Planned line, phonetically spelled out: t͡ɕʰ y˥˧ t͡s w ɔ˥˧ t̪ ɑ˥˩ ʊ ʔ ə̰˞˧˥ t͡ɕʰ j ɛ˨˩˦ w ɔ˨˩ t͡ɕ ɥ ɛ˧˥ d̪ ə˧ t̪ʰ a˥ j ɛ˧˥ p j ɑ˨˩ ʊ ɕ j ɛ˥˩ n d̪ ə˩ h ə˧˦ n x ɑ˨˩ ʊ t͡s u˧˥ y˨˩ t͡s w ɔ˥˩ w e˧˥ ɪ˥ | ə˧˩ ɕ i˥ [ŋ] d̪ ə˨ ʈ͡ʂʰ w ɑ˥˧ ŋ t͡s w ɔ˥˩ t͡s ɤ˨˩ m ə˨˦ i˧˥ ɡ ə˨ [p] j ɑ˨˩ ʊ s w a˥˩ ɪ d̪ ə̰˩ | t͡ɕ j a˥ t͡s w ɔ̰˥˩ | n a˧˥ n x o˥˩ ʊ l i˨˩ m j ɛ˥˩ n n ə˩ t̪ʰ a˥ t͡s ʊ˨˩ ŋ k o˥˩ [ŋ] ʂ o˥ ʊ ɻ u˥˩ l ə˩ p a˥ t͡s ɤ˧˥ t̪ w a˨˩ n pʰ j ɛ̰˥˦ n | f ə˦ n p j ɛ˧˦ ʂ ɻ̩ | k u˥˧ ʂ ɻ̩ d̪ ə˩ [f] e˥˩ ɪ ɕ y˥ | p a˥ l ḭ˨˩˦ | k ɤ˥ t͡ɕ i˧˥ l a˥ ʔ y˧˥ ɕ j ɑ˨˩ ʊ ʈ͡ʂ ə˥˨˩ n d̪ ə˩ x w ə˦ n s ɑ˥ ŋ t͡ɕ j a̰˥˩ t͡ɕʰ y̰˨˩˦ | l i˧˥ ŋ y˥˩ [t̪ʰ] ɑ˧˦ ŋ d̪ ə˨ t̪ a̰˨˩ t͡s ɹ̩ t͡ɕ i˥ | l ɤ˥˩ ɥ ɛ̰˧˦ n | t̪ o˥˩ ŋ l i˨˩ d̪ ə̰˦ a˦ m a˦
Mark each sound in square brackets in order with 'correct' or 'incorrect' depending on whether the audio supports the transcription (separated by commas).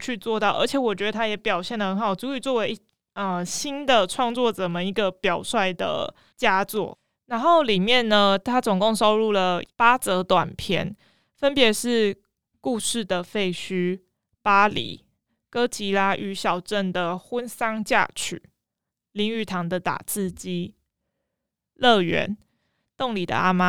incorrect, correct, correct, correct, correct